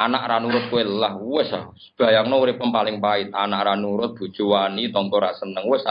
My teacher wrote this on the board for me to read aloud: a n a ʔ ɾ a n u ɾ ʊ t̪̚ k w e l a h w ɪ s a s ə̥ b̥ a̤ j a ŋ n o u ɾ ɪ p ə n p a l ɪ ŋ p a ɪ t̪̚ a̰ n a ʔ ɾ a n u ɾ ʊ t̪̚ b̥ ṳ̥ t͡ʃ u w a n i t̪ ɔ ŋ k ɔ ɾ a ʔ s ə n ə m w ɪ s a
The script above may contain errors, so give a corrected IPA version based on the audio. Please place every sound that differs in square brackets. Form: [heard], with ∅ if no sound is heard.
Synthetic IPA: a n a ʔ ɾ a n u ɾ ʊ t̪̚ k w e l a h w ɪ s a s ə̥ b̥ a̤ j a ŋ n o u ɾ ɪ p ə n p a l ɪ ŋ p a ɪ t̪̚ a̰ n a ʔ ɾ a n u ɾ ʊ t̪̚ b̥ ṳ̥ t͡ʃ u w a n i t̪ ɔ ŋ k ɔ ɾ a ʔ s ə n ə [ŋ] w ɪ s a